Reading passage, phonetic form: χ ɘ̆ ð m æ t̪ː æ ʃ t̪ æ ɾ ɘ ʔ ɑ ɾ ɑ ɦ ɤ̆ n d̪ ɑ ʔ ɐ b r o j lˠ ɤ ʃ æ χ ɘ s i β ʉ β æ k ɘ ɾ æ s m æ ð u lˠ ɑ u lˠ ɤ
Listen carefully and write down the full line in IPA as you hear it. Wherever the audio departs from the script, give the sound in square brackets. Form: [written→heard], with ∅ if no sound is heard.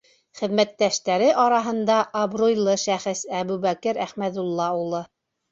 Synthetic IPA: χ ɘ̆ ð m æ t̪ː æ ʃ t̪ æ ɾ ɘ ʔ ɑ ɾ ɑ ɦ ɤ̆ n d̪ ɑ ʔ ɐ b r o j lˠ ɤ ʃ æ χ ɘ s [i→æ] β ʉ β æ k ɘ ɾ æ [s→χ] m æ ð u [lˠ→lˠː] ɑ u lˠ ɤ